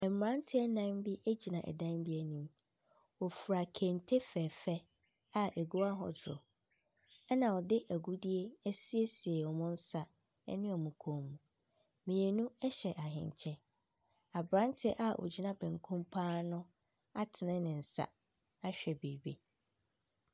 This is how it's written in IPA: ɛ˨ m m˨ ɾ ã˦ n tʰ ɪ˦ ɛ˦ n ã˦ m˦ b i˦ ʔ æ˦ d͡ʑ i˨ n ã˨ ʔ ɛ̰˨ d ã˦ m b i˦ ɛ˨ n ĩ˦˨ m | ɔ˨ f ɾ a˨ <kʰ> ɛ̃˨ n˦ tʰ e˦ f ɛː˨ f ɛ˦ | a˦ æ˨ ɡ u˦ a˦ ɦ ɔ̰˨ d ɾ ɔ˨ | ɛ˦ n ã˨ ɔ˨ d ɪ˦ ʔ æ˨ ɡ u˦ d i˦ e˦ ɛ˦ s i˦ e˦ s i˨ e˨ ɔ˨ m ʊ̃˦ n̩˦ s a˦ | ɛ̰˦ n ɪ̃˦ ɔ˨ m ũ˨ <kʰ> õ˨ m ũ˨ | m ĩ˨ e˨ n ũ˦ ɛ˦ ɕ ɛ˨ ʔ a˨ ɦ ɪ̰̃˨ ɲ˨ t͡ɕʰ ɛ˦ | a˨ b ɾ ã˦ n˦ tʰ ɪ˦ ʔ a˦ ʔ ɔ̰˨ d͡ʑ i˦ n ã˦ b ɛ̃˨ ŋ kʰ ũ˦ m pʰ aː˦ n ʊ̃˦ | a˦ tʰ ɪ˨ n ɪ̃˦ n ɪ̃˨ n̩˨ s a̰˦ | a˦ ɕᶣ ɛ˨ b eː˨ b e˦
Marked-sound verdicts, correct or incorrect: correct, correct

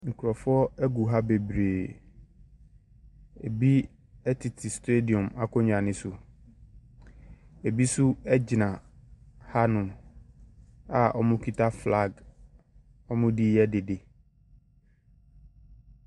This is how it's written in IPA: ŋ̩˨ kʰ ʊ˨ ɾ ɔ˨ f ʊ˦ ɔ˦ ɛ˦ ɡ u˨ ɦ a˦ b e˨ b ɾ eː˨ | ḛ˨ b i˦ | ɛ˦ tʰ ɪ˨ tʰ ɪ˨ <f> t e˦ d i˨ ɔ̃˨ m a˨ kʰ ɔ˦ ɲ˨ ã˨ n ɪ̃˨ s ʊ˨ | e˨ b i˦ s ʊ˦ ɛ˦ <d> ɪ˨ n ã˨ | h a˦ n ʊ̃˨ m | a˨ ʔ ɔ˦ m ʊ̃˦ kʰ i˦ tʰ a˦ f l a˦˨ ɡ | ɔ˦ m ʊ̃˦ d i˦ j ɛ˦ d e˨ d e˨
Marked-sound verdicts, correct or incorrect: incorrect: s, incorrect: d͡ʑ

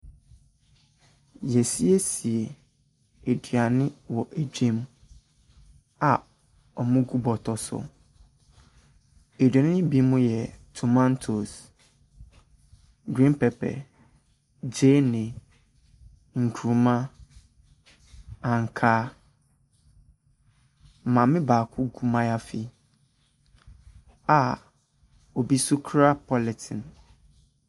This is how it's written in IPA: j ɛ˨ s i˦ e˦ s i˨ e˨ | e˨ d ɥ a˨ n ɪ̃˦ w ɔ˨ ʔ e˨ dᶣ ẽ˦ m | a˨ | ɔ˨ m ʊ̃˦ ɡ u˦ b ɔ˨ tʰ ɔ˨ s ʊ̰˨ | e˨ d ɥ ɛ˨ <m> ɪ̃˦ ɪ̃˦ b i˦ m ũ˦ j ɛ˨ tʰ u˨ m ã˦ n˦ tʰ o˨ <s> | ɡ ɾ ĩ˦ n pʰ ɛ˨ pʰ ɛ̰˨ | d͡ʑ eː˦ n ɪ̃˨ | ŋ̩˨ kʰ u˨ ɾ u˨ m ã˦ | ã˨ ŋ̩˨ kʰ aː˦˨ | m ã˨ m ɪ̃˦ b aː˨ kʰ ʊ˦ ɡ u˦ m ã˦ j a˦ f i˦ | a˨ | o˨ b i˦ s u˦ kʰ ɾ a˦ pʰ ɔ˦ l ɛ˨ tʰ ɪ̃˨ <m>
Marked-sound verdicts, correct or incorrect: incorrect: n, correct, incorrect: n

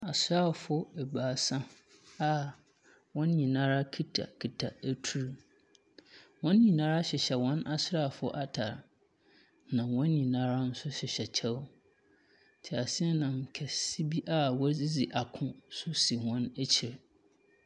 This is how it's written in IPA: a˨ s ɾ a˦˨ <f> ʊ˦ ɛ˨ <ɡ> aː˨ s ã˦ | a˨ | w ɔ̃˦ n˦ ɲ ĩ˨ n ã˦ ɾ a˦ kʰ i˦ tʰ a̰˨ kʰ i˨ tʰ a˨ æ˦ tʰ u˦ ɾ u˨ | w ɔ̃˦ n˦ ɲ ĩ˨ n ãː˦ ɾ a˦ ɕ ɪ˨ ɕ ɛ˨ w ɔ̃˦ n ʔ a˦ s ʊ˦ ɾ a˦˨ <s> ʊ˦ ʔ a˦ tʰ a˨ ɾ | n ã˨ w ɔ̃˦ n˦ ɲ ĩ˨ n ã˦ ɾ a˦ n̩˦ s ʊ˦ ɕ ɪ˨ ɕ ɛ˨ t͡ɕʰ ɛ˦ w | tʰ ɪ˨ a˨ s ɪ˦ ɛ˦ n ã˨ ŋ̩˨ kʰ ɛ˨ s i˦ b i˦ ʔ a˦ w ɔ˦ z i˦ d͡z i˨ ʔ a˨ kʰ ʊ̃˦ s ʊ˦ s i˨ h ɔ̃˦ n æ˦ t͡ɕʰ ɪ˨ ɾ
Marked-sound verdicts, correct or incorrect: correct, incorrect: b, incorrect: f

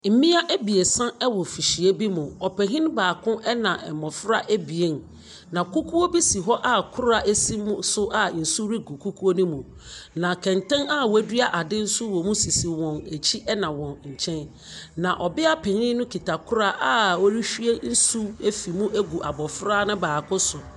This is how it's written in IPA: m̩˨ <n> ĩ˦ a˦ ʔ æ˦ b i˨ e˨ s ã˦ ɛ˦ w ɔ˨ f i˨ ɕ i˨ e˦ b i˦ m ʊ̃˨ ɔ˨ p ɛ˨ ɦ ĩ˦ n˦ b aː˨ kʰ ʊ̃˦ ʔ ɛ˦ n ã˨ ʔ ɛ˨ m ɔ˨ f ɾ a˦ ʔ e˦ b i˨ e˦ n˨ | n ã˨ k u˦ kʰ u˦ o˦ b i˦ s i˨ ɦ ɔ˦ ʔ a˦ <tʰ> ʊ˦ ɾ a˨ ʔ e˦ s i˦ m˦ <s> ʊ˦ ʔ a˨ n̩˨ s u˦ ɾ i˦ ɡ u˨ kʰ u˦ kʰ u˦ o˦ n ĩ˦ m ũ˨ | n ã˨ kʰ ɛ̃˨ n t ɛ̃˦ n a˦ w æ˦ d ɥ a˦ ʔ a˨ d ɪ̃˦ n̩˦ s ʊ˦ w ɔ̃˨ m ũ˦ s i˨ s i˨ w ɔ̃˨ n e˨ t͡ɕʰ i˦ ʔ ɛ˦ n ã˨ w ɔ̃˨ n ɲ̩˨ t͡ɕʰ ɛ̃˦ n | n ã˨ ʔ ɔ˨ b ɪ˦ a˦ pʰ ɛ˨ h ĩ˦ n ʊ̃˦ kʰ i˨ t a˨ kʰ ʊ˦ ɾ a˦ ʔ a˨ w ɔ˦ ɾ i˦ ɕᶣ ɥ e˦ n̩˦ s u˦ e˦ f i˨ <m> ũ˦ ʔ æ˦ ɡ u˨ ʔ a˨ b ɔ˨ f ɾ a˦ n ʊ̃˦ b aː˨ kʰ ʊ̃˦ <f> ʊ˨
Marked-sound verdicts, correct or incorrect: incorrect: m, incorrect: kʰ, correct, correct, incorrect: s

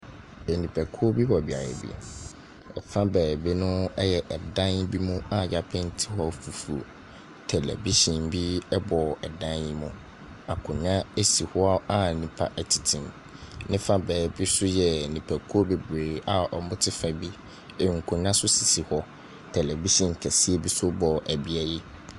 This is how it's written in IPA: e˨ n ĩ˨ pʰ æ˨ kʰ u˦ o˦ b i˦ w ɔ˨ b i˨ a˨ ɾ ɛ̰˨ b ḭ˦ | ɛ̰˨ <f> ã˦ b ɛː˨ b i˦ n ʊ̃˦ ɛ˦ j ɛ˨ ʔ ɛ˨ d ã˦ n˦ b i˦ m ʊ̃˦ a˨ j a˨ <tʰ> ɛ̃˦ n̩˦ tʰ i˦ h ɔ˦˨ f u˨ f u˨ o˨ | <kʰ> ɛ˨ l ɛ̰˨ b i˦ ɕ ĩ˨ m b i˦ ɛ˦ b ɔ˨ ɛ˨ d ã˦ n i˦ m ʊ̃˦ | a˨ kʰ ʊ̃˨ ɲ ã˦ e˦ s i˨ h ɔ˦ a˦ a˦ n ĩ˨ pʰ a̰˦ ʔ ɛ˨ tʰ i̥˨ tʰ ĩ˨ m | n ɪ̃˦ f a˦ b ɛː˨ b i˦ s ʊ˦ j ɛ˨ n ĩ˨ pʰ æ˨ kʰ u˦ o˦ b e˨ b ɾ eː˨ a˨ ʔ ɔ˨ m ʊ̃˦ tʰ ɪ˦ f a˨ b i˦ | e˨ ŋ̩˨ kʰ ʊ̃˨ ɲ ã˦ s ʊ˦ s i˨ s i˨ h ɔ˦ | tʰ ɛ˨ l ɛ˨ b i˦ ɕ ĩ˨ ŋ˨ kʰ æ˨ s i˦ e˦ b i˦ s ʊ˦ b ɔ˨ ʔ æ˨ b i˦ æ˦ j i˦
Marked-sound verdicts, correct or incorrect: correct, incorrect: pʰ, incorrect: tʰ

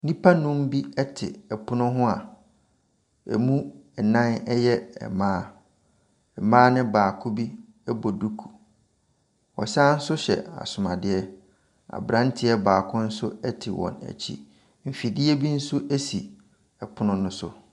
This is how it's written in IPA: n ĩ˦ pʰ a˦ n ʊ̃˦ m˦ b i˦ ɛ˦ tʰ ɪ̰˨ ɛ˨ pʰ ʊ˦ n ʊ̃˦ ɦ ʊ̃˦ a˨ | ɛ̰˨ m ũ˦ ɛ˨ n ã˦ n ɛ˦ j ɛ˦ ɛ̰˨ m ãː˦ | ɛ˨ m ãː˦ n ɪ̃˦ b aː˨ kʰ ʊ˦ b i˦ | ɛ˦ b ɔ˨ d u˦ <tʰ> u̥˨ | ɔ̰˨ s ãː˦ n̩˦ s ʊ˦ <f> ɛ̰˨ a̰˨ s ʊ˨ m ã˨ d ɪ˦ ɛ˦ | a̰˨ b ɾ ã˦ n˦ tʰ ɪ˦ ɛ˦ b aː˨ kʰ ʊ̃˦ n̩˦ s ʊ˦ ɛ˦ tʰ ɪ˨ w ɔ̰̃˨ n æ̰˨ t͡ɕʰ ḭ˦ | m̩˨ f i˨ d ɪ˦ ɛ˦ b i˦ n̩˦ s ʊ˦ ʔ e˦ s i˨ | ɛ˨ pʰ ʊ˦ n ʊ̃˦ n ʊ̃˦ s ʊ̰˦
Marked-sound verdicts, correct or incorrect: incorrect: kʰ, incorrect: ɕ

